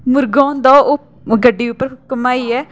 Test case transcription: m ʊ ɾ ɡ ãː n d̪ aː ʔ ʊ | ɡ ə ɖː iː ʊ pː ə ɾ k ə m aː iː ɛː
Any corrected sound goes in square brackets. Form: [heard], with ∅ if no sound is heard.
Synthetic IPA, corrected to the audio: m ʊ ɾ ɡ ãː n d̪ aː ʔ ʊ | ɡ ə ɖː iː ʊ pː ə ɾ k ə m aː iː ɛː